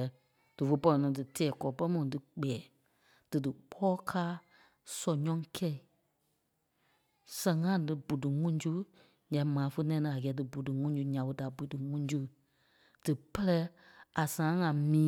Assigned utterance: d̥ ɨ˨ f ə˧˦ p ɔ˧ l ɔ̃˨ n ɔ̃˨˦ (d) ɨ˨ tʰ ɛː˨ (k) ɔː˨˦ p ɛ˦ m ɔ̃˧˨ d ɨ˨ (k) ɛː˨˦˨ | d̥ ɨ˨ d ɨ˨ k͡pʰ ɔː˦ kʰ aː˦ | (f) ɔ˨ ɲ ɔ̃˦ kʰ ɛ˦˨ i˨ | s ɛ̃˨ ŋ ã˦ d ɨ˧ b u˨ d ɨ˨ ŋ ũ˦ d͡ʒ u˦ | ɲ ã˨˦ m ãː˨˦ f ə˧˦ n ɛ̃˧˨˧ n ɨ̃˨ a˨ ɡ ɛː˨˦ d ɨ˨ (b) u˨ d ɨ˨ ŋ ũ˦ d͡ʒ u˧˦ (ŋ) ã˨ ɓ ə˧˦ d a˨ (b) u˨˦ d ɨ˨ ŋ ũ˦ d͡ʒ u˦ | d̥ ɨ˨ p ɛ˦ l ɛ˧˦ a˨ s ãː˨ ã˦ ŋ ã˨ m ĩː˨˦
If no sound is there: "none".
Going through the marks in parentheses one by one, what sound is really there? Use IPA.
d, k, k͡p, s, b, ɲ, b

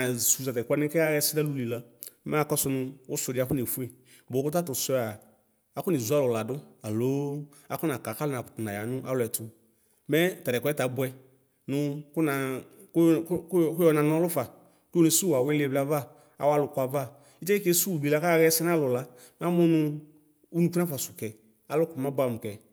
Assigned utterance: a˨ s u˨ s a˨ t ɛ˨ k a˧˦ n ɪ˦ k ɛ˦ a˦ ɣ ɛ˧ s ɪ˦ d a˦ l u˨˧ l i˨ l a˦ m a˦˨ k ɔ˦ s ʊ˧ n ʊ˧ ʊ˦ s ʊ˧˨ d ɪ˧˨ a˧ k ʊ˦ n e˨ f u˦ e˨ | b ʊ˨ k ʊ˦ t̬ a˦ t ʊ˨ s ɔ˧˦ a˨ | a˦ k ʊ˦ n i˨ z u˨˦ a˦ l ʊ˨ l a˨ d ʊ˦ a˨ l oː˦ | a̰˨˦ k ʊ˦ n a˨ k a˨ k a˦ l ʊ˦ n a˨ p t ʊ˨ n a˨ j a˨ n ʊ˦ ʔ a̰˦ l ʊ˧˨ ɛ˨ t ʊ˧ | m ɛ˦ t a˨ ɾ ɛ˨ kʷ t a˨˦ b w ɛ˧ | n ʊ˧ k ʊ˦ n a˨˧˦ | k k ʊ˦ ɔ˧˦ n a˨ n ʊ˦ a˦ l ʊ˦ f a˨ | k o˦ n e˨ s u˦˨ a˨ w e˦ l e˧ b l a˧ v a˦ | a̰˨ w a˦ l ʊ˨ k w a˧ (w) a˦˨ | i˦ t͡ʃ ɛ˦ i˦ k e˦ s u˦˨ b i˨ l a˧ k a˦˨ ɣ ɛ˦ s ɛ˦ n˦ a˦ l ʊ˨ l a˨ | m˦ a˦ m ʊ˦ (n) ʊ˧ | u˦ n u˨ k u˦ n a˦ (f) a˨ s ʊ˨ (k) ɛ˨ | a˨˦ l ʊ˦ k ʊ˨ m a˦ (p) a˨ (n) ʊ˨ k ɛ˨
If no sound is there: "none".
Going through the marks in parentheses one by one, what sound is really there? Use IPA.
v, n, f, k, b, m

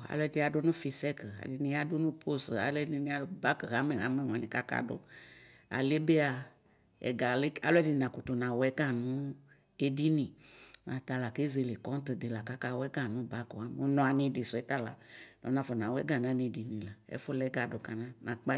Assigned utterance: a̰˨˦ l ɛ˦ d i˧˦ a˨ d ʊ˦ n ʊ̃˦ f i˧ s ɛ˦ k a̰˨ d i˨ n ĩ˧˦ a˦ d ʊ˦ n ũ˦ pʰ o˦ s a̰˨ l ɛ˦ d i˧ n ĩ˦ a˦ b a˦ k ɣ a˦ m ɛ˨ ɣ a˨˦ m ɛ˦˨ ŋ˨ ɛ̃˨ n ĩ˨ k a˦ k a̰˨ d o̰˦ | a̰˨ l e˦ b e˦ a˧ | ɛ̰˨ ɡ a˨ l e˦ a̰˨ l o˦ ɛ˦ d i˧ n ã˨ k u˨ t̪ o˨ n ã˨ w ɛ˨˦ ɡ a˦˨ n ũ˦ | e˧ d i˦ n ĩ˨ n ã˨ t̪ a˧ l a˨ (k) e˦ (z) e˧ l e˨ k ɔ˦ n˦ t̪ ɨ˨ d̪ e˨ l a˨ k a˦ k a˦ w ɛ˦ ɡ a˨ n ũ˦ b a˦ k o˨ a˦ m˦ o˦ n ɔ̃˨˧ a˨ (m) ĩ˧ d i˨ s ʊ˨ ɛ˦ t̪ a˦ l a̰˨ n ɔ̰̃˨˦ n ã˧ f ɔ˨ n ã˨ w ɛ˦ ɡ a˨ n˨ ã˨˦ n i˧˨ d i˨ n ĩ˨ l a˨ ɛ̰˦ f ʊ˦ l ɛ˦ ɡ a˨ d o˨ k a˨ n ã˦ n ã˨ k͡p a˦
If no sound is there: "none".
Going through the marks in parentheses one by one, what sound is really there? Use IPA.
k, z, n

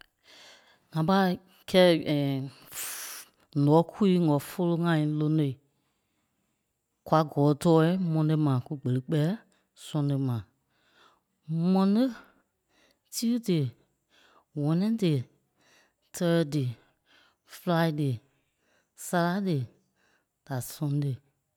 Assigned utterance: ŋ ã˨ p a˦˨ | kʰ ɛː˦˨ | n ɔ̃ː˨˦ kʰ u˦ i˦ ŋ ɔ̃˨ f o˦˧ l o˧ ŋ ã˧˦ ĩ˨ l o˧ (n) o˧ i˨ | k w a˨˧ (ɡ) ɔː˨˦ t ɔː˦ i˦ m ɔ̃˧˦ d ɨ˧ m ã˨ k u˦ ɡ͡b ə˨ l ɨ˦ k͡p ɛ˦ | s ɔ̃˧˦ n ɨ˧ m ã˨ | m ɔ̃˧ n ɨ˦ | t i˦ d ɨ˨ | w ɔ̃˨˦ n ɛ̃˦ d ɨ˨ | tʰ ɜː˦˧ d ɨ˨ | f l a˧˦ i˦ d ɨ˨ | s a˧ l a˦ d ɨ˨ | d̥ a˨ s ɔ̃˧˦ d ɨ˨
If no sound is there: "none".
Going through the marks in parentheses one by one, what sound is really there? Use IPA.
n, ɡ

